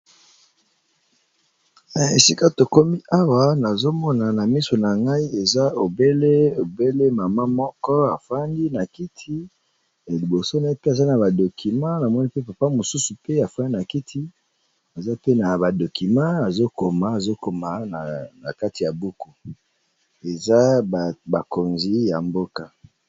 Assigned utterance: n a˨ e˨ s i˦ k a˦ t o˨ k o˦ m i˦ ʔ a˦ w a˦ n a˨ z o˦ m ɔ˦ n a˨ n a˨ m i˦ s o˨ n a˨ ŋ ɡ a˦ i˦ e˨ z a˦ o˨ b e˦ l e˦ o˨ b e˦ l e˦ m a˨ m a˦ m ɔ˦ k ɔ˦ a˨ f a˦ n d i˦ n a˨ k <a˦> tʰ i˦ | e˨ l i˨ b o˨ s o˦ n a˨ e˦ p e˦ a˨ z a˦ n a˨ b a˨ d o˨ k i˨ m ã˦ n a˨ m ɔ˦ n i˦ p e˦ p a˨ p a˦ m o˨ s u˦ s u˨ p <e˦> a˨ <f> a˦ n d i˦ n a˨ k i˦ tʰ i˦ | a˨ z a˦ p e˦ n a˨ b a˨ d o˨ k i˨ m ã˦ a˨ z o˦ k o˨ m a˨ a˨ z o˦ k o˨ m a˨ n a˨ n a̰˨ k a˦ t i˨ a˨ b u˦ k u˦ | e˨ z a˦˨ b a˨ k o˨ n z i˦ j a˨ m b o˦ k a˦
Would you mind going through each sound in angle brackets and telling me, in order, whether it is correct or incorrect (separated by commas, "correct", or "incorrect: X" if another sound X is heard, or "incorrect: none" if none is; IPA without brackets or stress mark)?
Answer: incorrect: i˦, correct, correct